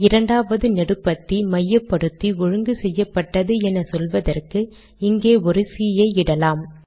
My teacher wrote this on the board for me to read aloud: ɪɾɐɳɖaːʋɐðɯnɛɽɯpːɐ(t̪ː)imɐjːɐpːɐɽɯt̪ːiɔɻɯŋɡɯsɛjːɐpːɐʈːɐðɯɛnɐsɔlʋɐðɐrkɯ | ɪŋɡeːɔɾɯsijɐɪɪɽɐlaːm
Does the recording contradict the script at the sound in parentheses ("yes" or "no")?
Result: no